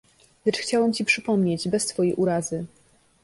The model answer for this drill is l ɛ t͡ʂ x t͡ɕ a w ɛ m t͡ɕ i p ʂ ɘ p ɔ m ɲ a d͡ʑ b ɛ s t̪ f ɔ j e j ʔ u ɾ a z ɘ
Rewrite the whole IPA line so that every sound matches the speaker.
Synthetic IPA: l ɛ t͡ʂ x t͡ɕ a w ɛ m t͡ɕ i p ʂ ɘ p ɔ m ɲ e d͡ʑ b ɛ s t̪ f ɔ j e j ʔ u ɾ a z ɘ

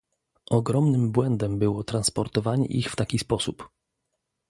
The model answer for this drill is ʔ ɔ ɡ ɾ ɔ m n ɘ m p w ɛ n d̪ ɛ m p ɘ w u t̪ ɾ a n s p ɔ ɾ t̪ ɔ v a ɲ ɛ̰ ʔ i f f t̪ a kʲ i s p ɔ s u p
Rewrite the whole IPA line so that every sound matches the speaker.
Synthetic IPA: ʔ ɔ ɡ ɾ ɔ m n ɘ m b w ɛ n d̪ ɛ m b ɘ w ɔ t̪ ɾ a n s p ɔ ɾ t̪ ɔ v a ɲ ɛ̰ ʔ i x f t̪ a kʲ i s p ɔ s u p

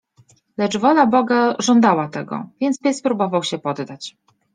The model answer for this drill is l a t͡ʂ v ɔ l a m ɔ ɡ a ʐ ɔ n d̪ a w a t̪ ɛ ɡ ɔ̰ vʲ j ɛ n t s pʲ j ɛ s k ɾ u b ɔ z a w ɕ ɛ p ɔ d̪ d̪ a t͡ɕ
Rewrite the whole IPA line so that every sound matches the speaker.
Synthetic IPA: l ɛ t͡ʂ v ɔ l a b ɔ ɡ a ʐ ɔ n d̪ a w a t̪ ɛ ɡ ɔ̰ vʲ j ɛ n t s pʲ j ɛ s p ɾ u b ɔ v a w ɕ ɛ p ɔ d̪ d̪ a t͡ɕ

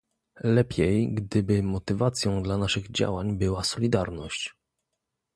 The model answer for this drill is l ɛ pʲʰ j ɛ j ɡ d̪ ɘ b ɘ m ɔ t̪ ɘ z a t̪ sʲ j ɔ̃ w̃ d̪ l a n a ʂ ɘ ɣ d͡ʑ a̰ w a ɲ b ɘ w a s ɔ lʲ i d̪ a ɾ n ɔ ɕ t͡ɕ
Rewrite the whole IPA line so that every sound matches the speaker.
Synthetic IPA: l ɛ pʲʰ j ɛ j ɡ d̪ ɘ b ɘ m ɔ t̪ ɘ v a t̪ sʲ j ɔ̃ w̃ d̪ l a n a ʂ ɘ ɣ d͡ʑ a̰ w a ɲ b ɘ w a s ɔ lʲ i d̪ a ɾ n ɔ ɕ t͡ɕ

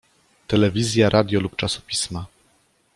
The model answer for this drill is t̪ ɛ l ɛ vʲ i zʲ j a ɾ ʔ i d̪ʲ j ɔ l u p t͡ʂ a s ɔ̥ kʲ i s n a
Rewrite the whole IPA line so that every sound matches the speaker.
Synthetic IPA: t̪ ɛ l ɛ vʲ i zʲ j a ɾ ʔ a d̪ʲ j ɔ l u p t͡ʂ a s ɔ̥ pʲ i s m a

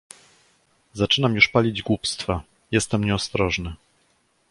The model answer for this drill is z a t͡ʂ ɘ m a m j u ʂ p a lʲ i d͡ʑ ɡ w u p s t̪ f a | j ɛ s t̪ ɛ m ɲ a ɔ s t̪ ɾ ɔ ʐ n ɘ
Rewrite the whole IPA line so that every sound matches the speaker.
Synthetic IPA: z a t͡ʂ ɘ n a m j u ʂ p a lʲ i d͡ʑ ɡ w u p s t̪ f a | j ɛ s t̪ ɛ m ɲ ɛ ɔ s t̪ ɾ ɔ ʐ n ɘ

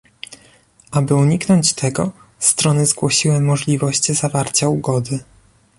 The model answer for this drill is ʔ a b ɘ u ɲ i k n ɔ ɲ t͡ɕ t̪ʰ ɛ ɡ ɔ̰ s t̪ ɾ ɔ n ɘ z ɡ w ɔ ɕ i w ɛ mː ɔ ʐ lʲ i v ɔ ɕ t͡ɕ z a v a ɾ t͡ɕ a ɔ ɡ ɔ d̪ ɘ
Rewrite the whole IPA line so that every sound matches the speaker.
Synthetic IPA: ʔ a b ɘ u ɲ i k n ɔ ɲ t͡ɕ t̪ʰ ɛ ɡ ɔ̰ s t̪ ɾ ɔ n ɘ z ɡ w ɔ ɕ i w ɛ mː ɔ ʐ lʲ i v ɔ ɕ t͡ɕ z a v a ɾ t͡ɕ a u ɡ ɔ d̪ ɘ

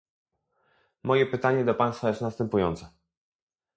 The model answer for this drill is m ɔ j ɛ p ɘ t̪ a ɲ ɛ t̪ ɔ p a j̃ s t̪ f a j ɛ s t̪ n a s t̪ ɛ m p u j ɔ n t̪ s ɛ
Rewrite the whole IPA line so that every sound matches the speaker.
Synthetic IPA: m ɔ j ɛ p ɘ t̪ a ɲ ɛ d̪ ɔ p a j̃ s t̪ f a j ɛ s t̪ n a s t̪ ɛ m p u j ɔ n t̪ s ɛ

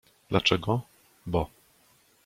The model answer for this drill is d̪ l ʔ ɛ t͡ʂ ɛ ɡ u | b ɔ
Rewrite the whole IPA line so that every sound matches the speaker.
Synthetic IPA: d̪ l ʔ a t͡ʂ ɛ ɡ ɔ | b ɔ

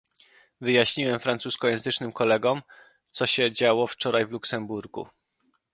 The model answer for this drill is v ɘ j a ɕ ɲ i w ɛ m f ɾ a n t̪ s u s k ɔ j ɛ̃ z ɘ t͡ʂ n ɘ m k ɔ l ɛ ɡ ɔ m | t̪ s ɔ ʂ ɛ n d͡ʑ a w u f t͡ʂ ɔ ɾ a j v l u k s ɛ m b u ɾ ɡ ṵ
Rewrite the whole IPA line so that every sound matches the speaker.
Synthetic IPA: v ɘ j a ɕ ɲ i w ɛ m f ɾ a n t̪ s u s k ɔ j ɛ̃ z ɘ t͡ʂ n ɘ m k ɔ l ɛ ɡ ɔ m | t̪ s ɔ ɕ ɛ d͡ʑ a w ɔ f t͡ʂ ɔ ɾ a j v l u k s ɛ m b u ɾ ɡ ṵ

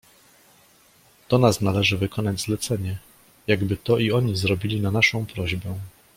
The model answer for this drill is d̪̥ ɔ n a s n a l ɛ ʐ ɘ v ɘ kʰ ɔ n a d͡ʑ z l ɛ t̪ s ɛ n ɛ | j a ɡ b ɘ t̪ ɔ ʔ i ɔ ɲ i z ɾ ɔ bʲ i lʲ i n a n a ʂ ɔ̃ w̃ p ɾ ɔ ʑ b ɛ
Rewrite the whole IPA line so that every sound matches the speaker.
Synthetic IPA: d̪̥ ɔ n a s n a l ɛ ʐ ɘ v ɘ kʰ ɔ n a d͡ʑ z l ɛ t̪ s ɛ ɲ ɛ | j a ɡ b ɘ t̪ ɔ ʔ i ɔ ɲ i z ɾ ɔ bʲ i lʲ i n a n a ʂ ɔ̃ w̃ p ɾ ɔ ʑ b ɛ

